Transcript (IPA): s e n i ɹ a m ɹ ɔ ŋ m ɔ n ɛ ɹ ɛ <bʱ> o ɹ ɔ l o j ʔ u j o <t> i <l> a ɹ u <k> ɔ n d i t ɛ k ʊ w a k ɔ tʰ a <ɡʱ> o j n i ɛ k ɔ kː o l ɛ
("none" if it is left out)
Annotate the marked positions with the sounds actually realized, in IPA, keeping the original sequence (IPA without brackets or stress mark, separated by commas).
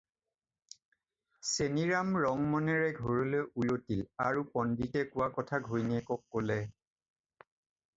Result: ɡʱ, t, l, p, ɡʱ